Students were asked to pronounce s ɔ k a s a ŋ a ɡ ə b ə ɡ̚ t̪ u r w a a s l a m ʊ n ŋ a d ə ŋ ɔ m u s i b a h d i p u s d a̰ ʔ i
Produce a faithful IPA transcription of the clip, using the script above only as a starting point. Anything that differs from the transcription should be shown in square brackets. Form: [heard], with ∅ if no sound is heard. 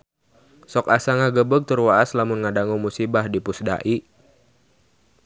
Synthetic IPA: s ɔ k a s a ŋ a ɡ ə b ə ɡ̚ t̪ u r w a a s l a m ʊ n ŋ a d [a] ŋ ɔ m u s i b a h d i p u s d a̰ ʔ i